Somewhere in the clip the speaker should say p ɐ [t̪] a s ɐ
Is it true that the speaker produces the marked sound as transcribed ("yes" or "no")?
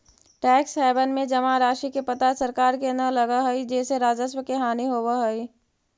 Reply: yes